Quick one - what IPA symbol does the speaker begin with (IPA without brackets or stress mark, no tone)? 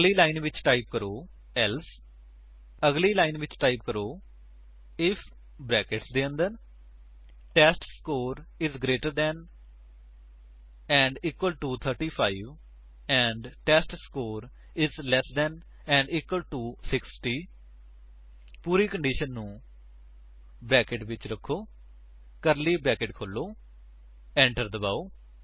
l